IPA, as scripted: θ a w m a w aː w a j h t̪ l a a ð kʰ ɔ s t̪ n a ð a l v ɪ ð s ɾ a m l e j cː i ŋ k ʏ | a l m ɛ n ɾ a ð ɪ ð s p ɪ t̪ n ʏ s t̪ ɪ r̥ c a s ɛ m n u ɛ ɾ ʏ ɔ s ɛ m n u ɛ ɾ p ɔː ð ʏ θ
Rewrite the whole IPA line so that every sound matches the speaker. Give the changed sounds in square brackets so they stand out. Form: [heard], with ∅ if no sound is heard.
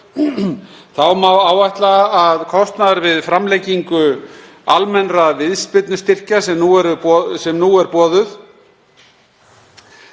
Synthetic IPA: θ a w m a w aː w a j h t̪ l a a ð kʰ ɔ s t̪ n a ð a [ɾ] v ɪ ð [f] ɾ a m l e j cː i ŋ k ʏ | a l m ɛ n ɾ a [v] ɪ ð s p ɪ t̪ n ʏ s t̪ ɪ r̥ c a s ɛ m n u ɛ ɾ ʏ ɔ s ɛ m n u ɛ ɾ p ɔː ð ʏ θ

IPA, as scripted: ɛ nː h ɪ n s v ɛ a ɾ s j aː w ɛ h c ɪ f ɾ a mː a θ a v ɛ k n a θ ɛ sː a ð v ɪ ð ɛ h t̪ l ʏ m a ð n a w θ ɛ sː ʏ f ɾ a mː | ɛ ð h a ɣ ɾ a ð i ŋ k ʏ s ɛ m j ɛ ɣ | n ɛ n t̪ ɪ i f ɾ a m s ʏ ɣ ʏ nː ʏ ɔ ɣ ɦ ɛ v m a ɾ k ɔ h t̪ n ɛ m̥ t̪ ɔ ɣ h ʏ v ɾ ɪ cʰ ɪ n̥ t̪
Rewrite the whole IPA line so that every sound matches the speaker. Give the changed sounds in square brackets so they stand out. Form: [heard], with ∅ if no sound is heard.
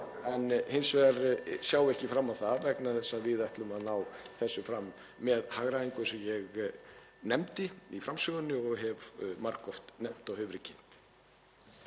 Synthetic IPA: ɛ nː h ɪ n s v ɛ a ɾ s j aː w ɛ h c ɪ f ɾ a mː a θ a v ɛ k n a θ ɛ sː a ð v ɪ ð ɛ h t̪ l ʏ m a ð n a w θ ɛ sː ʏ f ɾ a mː | ɛ ð h a ɣ ɾ a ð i ŋ k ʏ s ɛ m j ɛ ɣ | n ɛ [m] t̪ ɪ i f ɾ a m s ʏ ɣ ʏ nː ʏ ɔ ɣ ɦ ɛ v m a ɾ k ɔ [f] t̪ n ɛ m̥ t̪ ɔ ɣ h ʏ v ɾ ɪ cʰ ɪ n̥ t̪

